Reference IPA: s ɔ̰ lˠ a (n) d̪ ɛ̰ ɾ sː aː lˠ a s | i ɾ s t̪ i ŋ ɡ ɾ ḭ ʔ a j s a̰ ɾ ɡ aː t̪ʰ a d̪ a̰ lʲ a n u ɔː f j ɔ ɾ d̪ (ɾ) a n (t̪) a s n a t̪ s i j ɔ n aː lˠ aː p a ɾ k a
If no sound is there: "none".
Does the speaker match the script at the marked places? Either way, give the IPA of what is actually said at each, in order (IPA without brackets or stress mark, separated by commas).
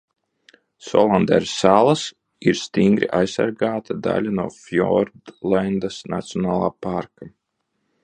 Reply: n, l, d̪